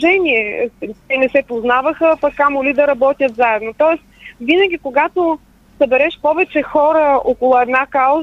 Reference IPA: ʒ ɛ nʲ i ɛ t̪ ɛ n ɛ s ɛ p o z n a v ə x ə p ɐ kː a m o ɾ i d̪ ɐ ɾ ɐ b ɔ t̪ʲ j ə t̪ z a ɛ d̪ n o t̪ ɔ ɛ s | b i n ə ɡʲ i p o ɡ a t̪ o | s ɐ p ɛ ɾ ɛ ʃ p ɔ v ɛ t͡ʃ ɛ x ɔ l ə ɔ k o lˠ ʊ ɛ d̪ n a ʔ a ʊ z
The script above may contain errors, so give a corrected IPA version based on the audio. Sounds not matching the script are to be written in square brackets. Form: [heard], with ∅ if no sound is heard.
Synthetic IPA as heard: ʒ ɛ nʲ i ɛ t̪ ɛ n ɛ s ɛ p o z n a v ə x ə p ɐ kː a m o [l] i d̪ ɐ ɾ ɐ b ɔ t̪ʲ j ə t̪ z a ɛ d̪ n o t̪ ɔ ɛ s | [v] i n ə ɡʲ i [k] o ɡ a t̪ o | s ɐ [b] ɛ ɾ ɛ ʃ p ɔ v ɛ t͡ʃ ɛ x ɔ [ɾ] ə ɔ k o lˠ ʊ ɛ d̪ n a [k] a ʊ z